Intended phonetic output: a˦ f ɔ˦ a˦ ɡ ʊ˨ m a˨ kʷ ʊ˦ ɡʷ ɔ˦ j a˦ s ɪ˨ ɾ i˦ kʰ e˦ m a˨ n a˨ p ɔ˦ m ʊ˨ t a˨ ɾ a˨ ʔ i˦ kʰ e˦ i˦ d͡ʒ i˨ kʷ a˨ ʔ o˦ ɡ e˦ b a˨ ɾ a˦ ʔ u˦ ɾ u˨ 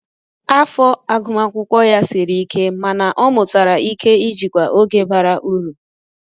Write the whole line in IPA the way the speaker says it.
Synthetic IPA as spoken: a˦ f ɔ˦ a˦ ɡ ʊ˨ m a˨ kʷ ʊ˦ kʷ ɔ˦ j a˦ s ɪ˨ ɾ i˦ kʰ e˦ m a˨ n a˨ ʔ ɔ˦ m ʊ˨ t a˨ ɾ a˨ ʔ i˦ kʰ e˦ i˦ d͡ʒ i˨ kʷ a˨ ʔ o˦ ɡ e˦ b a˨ ɾ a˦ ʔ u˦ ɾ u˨